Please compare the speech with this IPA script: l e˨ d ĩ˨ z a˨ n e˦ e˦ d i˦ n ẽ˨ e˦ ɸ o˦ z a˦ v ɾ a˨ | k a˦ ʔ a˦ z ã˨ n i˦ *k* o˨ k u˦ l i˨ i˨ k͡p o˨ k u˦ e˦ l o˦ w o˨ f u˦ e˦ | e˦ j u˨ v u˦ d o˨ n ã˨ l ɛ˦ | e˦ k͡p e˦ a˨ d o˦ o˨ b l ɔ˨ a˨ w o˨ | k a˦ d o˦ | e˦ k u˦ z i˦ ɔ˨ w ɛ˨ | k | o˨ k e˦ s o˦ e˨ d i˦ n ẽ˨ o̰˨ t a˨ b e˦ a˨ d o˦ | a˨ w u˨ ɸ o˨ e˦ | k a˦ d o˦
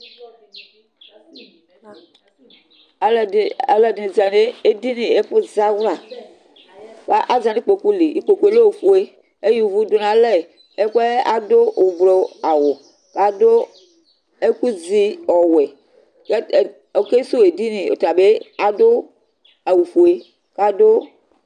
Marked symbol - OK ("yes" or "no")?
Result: no